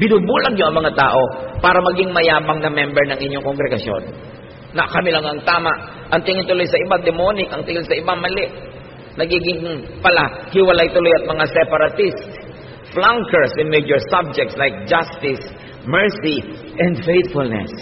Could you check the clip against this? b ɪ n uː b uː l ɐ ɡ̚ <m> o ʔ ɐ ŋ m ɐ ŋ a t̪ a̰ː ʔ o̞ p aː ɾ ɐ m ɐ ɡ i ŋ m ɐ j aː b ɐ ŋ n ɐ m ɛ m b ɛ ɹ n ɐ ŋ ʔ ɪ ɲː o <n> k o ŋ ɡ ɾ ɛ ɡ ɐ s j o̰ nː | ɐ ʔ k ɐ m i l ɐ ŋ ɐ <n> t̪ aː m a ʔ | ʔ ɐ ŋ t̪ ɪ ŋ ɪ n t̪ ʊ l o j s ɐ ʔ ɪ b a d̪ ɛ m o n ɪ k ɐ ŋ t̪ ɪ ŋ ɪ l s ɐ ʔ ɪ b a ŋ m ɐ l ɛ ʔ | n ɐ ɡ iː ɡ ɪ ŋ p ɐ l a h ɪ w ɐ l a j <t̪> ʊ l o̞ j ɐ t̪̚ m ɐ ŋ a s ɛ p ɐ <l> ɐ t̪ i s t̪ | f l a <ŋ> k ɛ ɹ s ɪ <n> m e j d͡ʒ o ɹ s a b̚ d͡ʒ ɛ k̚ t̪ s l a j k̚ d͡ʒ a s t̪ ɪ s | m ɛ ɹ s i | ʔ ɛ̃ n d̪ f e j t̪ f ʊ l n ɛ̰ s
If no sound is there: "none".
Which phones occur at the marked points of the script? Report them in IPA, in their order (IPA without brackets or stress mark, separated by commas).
ɲ, ŋ, ŋ, t̪, ɾ, ŋ, n